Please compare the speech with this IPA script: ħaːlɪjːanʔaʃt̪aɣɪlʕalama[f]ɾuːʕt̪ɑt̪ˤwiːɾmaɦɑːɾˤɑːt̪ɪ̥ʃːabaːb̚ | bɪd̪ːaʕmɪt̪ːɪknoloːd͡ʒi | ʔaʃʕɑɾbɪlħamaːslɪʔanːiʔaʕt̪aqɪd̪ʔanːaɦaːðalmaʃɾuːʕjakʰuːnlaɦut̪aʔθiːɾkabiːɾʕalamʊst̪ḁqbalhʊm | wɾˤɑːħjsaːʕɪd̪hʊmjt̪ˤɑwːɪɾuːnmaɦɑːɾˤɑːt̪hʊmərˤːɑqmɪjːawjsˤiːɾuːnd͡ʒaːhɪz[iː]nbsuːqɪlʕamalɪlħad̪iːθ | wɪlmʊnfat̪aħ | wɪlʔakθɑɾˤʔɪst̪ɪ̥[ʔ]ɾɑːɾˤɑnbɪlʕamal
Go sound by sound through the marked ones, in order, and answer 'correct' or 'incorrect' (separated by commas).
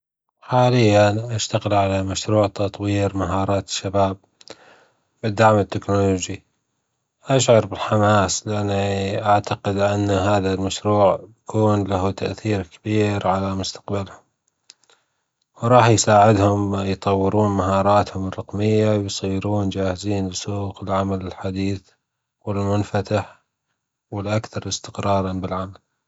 incorrect, correct, incorrect